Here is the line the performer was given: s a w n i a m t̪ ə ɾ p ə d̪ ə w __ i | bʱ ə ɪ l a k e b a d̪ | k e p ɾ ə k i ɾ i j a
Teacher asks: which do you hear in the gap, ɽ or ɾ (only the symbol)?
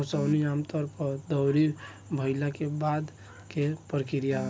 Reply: ɾ